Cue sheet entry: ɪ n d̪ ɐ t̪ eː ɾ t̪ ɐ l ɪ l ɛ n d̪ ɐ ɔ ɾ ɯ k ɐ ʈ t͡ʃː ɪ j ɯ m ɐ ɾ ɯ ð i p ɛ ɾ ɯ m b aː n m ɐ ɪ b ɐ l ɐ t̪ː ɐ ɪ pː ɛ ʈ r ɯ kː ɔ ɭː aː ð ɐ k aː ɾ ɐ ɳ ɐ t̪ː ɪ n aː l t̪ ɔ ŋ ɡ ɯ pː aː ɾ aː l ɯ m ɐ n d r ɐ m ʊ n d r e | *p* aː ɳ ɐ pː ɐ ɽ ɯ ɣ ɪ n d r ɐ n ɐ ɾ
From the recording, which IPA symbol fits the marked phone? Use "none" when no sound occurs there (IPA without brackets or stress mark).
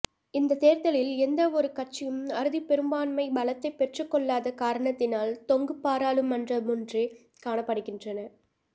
k